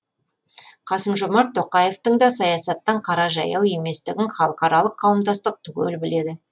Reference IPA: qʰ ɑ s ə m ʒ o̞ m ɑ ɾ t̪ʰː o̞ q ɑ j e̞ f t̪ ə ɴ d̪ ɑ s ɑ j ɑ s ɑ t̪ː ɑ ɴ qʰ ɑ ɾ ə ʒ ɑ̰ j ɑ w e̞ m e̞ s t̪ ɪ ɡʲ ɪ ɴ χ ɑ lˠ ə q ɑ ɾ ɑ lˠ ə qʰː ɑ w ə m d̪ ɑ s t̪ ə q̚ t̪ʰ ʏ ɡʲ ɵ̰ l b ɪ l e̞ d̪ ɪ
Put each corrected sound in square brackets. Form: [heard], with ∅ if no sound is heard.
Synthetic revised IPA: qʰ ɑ s ə m ʒ o̞ m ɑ ɾ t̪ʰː o̞ q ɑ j e̞ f t̪ ə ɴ d̪ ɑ s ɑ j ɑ s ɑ t̪ː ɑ ɴ qʰ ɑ ɾ [ɑ] ʒ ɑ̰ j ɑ w e̞ m e̞ s t̪ ɪ ɡʲ ɪ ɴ χ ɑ lˠ ə q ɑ ɾ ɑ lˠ ə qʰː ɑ w ə m d̪ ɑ s t̪ ə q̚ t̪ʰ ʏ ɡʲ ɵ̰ l b ɪ l e̞ d̪ ɪ